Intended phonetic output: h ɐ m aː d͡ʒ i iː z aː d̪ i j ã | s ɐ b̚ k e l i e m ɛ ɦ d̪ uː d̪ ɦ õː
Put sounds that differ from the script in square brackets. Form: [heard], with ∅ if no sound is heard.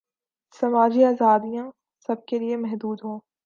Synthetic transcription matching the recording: [s] ɐ m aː d͡ʒ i [aː] z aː d̪ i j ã | s ɐ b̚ k e l i e m ɛ ɦ d̪ uː d̪ ɦ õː